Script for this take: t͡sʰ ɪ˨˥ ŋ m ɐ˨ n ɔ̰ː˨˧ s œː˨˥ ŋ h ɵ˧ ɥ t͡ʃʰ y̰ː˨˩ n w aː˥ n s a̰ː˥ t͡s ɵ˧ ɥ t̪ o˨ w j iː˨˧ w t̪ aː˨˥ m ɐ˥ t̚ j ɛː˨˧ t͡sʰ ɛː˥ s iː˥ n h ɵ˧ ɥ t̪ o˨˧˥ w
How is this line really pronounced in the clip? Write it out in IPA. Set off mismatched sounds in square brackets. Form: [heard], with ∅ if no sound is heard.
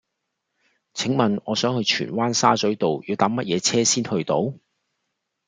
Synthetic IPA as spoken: t͡sʰ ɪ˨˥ ŋ m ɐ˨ n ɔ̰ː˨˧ s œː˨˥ ŋ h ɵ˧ ɥ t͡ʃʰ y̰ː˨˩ n w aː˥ n s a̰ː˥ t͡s [ɵ˨˥] ɥ t̪ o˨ w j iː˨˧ w t̪ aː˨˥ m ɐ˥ t̚ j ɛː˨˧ t͡sʰ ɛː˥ s iː˥ n h ɵ˧ ɥ t̪ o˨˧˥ w